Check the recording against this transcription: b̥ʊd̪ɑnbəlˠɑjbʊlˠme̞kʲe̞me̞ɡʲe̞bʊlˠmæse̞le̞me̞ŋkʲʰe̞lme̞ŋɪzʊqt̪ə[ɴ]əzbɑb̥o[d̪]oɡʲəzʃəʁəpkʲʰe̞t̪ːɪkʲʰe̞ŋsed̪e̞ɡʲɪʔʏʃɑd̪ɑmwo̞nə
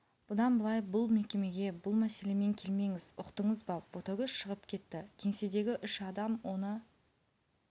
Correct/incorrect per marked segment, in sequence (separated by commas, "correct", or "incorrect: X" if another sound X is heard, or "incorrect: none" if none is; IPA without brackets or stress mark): correct, incorrect: t̪